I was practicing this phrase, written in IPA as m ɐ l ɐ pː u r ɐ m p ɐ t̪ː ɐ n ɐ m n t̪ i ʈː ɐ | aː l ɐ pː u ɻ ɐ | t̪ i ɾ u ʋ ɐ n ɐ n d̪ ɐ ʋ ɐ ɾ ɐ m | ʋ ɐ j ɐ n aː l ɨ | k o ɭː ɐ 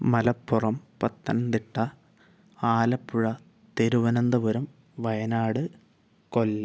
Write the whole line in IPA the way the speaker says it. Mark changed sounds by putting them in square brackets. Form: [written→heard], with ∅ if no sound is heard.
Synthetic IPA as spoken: m ɐ l ɐ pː u r ɐ m p ɐ t̪ː ɐ n ɐ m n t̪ i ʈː ɐ | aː l ɐ pː u ɻ ɐ | t̪ [i→e] ɾ u ʋ ɐ n ɐ n d̪ ɐ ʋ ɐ ɾ ɐ m | ʋ ɐ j ɐ n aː [l→ɽ] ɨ | k o [ɭː→lː] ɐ